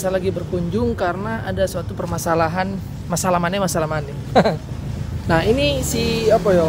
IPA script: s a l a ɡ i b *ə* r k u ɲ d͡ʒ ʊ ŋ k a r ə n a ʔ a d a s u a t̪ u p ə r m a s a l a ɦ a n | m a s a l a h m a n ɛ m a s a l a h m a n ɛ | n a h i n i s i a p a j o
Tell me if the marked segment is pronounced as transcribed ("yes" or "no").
yes